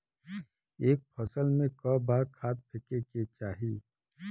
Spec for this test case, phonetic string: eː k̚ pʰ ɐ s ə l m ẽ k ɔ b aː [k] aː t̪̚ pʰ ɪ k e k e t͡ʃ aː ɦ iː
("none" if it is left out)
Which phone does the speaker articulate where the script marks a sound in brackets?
kʰ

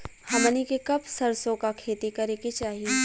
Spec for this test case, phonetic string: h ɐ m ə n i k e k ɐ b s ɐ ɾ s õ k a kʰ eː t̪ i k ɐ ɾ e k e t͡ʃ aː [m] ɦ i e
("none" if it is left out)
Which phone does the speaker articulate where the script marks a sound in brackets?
none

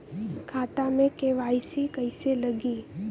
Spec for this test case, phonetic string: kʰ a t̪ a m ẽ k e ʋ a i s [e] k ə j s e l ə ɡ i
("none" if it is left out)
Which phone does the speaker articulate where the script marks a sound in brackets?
i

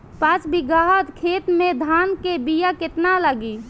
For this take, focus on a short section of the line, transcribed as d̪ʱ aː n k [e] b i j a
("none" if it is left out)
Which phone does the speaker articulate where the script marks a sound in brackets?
e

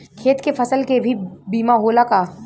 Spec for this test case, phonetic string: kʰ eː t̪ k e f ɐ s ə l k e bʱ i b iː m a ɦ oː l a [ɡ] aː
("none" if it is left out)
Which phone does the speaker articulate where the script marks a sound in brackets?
k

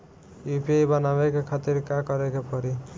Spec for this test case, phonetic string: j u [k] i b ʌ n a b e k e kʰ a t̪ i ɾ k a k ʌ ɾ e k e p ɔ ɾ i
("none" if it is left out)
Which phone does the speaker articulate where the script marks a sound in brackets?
p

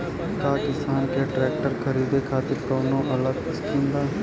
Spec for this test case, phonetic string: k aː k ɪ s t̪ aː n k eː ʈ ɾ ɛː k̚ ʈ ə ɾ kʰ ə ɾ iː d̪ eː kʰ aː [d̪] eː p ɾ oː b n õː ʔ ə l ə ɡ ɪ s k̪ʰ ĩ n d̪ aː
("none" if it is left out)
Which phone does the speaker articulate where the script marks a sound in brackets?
t̪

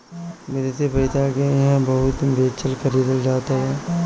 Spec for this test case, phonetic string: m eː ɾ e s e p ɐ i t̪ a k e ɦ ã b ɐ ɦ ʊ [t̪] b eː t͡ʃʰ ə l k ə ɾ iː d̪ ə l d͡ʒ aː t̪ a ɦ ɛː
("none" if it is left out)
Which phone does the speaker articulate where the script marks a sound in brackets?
t̪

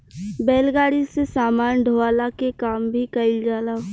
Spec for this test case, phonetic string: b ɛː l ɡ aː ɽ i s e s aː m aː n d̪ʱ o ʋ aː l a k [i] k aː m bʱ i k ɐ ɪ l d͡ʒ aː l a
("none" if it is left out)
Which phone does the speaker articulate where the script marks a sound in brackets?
e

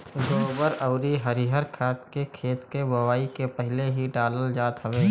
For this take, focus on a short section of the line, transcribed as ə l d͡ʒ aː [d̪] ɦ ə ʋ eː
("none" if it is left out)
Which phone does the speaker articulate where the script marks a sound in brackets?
t̪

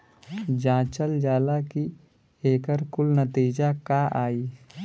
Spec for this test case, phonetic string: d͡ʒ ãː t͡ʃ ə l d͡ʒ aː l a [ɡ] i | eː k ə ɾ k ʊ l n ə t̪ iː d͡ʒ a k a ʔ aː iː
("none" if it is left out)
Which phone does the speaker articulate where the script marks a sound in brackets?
k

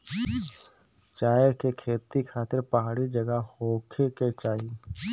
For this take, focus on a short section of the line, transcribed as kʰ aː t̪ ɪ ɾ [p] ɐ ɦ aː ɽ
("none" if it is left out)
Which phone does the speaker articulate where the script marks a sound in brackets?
p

